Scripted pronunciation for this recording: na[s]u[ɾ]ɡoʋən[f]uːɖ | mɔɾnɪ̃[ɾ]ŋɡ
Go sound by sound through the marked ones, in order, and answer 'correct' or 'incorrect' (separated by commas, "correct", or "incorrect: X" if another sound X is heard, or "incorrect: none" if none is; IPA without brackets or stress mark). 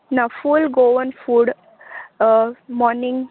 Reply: incorrect: f, incorrect: l, correct, incorrect: none